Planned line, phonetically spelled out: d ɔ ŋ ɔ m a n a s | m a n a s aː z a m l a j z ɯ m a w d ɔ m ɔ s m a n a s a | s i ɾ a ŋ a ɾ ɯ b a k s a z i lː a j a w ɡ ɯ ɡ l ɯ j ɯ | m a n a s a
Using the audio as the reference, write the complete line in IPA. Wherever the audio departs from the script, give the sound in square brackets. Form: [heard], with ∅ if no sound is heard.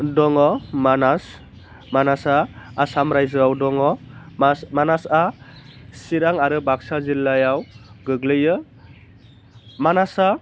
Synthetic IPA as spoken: d ɔ ŋ ɔ m a n a s | m a n a s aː [s] a m [ɾ] a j z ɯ [∅] a w d ɔ [ŋ] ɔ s m a n a s a | s i ɾ a ŋ a ɾ ɯ b a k s a z i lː a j a w ɡ ɯ ɡ l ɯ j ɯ | m a n a s a